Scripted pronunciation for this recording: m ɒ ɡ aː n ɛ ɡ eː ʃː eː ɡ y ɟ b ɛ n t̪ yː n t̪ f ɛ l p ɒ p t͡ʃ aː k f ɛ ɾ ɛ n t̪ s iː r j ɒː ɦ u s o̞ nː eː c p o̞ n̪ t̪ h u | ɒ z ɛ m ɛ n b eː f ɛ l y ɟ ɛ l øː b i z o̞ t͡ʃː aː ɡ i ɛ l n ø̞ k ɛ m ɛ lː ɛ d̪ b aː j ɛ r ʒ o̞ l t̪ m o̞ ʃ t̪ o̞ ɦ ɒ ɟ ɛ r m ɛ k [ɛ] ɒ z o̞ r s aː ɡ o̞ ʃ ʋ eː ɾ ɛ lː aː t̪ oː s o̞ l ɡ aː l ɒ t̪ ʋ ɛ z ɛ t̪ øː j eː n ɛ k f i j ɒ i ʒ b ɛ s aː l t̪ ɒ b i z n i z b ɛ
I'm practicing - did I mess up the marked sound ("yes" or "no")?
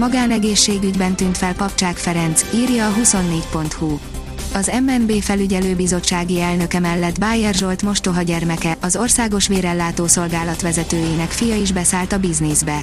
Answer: no